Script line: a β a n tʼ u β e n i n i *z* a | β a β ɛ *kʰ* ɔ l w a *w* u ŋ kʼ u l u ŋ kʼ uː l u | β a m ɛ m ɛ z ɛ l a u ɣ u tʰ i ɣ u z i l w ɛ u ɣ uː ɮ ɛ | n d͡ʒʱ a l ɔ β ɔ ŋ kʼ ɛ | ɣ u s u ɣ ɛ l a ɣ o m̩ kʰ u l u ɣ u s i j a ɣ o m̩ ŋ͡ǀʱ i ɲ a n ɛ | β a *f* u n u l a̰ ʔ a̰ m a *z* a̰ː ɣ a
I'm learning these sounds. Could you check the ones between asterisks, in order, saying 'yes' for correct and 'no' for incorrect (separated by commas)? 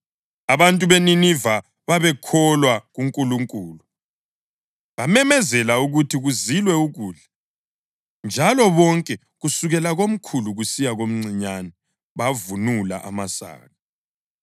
no, yes, no, no, no